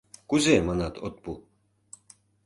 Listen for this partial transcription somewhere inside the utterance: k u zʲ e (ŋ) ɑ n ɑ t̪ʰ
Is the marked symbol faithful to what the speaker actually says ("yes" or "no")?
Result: no